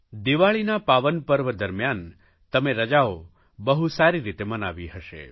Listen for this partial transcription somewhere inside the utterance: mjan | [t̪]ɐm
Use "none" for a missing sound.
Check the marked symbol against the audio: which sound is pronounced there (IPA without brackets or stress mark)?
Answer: t̪